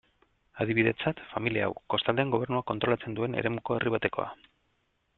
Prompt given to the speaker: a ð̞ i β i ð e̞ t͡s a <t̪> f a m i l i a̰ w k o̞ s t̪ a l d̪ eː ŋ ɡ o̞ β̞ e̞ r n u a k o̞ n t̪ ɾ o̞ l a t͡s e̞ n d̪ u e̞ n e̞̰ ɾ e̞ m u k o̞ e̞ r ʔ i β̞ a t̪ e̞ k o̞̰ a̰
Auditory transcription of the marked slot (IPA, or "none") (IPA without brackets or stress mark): t̪